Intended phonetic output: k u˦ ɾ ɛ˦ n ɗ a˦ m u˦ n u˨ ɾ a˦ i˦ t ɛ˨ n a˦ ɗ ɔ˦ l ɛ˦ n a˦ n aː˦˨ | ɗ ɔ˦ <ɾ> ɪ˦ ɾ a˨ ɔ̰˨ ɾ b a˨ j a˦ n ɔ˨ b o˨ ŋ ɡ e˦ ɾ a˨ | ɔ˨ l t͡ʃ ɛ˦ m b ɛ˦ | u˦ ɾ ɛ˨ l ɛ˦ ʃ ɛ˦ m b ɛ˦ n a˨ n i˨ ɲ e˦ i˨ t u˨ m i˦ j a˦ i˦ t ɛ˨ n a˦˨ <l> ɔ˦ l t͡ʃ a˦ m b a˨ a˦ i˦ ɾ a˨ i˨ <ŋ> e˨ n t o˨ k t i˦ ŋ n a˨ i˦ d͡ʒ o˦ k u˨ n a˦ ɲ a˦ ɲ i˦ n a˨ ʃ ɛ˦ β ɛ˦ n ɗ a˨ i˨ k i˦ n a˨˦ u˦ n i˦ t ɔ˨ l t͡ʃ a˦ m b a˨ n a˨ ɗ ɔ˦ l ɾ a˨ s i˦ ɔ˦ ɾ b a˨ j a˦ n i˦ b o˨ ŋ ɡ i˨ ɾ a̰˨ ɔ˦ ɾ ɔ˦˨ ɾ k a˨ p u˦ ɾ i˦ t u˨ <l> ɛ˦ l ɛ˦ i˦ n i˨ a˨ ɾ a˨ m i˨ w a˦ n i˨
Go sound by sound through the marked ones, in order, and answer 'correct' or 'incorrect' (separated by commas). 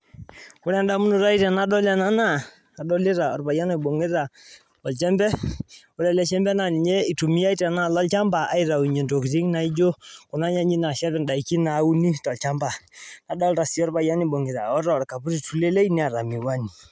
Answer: incorrect, correct, incorrect, correct